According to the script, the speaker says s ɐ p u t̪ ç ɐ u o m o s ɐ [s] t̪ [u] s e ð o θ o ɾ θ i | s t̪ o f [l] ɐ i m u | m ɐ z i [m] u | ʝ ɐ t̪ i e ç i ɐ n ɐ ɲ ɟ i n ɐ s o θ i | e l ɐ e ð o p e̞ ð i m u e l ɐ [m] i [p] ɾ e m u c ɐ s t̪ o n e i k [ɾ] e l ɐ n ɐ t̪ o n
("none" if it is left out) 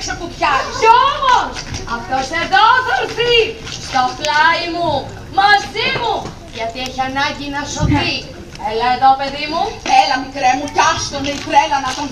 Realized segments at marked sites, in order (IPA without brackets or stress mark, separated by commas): f, o, l, m, m, k, ɾ